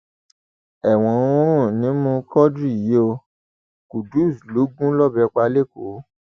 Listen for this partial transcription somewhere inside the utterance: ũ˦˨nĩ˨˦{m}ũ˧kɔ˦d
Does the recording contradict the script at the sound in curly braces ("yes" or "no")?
no